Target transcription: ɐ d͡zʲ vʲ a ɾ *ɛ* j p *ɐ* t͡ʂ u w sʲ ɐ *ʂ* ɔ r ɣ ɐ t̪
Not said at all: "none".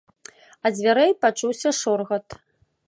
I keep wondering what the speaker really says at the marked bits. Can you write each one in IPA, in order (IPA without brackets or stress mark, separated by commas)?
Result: ɛ, a, ʂ